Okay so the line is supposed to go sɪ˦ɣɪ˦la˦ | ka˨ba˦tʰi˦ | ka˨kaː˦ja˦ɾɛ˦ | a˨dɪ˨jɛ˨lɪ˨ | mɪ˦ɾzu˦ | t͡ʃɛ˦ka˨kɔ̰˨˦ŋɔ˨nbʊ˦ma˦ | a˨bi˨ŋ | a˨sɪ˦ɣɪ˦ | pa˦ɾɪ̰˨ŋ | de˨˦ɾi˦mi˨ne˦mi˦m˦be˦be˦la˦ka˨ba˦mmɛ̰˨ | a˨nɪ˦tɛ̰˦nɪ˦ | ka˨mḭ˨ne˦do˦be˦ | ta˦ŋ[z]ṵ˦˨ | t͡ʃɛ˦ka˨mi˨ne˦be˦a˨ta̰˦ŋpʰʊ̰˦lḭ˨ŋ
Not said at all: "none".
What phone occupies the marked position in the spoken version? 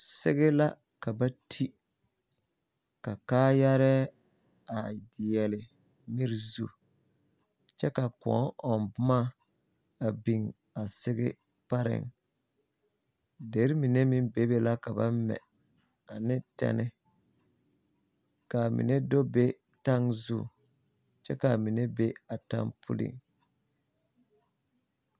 z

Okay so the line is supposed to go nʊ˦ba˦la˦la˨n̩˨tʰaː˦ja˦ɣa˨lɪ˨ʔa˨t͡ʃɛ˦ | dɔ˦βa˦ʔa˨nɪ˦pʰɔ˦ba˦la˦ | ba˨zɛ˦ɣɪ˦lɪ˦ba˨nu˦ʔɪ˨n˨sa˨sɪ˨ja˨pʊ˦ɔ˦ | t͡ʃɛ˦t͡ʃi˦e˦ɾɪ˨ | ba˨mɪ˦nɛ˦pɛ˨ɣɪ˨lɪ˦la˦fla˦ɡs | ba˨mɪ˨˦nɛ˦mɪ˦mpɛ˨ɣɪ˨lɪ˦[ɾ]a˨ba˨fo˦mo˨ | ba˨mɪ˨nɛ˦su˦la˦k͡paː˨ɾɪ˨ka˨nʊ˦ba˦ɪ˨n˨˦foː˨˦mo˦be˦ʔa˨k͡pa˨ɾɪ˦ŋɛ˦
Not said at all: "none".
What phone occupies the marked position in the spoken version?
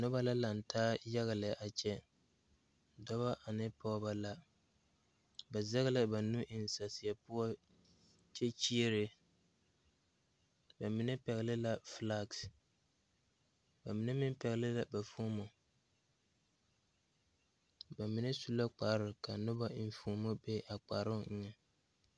l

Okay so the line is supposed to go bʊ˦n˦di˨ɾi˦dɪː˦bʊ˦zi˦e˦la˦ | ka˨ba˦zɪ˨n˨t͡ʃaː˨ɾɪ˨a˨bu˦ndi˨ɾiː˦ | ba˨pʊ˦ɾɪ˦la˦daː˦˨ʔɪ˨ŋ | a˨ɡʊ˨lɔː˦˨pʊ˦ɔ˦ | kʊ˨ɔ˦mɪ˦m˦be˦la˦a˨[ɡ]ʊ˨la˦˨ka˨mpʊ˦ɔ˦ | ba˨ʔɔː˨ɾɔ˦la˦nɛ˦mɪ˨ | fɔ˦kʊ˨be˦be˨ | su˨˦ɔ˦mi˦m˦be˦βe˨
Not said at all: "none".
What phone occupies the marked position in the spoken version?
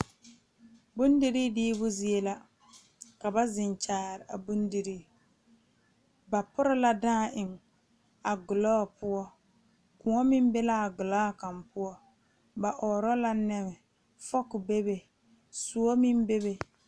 ɡ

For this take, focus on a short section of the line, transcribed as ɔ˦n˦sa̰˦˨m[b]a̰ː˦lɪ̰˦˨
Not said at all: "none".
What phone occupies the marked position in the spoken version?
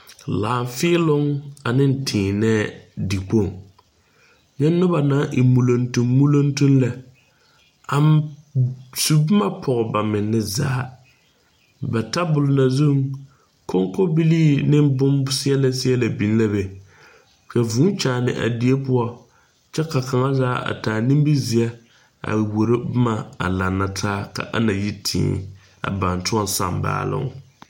b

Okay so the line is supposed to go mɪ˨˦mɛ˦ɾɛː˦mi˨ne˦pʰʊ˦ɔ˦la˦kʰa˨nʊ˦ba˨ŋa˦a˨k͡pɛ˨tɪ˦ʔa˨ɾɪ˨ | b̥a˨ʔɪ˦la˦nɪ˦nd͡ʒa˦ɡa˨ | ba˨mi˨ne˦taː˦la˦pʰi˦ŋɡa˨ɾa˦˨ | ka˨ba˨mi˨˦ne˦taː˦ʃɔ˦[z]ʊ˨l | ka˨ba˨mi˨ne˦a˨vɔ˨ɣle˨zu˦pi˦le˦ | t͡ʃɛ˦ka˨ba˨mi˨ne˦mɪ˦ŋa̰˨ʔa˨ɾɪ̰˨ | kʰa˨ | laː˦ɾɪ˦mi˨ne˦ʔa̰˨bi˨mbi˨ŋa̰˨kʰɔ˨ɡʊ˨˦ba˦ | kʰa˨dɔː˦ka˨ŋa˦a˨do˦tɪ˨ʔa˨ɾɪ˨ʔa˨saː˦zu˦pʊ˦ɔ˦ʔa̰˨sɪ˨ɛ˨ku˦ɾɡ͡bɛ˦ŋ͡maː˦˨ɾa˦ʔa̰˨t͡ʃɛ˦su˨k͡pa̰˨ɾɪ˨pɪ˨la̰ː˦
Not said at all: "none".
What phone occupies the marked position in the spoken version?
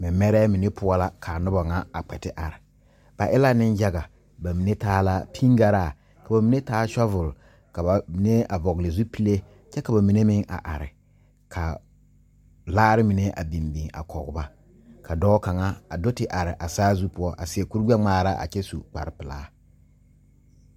v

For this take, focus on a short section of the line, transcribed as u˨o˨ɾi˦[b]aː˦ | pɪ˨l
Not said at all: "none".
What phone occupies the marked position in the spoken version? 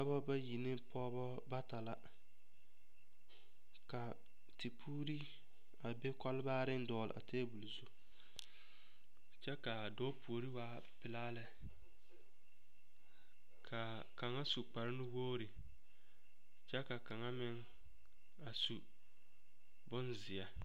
w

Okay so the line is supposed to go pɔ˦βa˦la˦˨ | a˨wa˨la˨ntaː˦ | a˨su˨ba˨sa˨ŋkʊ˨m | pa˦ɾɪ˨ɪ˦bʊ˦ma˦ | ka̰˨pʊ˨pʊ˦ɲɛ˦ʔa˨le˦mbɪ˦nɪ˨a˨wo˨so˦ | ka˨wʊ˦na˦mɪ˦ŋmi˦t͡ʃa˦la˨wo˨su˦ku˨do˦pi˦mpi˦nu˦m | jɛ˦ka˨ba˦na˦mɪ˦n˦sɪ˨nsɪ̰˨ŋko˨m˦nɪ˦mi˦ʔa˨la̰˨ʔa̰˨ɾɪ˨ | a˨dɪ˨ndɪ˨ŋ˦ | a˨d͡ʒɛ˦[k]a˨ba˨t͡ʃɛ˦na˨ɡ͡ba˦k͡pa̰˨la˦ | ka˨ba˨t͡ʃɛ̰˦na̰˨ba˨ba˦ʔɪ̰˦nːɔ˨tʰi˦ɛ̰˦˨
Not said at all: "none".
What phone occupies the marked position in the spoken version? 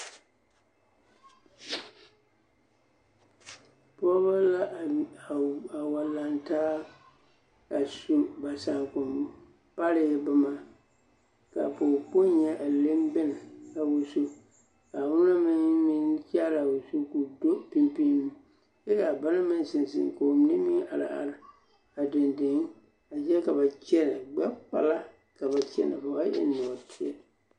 k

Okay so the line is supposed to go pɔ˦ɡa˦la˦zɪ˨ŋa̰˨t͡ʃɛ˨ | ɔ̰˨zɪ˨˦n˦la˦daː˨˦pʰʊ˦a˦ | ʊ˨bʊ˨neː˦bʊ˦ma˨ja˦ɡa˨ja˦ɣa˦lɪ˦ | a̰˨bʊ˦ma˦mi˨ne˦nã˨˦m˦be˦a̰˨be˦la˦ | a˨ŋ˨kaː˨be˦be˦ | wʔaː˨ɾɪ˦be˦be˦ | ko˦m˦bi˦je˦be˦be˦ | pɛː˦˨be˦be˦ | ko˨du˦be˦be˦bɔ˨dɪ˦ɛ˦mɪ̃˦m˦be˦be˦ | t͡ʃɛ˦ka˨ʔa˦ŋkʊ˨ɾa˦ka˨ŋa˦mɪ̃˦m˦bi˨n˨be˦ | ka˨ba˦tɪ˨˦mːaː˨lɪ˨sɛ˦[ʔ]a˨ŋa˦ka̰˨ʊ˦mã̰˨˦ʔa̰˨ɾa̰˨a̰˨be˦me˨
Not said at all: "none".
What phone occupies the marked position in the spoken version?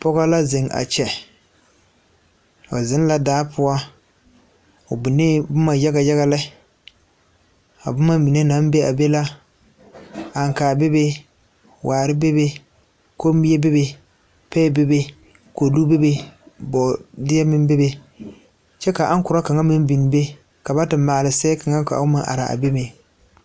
k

